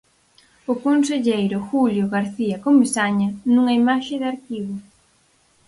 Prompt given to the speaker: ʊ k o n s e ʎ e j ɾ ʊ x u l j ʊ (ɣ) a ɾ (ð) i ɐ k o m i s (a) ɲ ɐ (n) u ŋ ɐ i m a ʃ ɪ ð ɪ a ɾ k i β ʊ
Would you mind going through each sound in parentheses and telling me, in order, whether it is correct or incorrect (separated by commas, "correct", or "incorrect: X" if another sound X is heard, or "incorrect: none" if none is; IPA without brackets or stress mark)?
correct, incorrect: θ, correct, correct